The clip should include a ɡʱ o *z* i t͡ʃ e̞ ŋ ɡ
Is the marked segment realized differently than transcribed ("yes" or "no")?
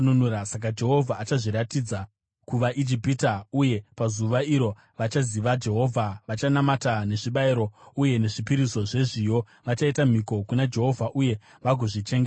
yes